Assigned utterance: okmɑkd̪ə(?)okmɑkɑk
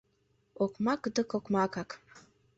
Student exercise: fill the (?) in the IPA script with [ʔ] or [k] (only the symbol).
k